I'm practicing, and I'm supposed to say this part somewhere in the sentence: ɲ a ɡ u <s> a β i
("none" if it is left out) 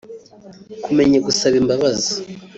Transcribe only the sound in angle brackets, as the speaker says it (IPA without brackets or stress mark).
s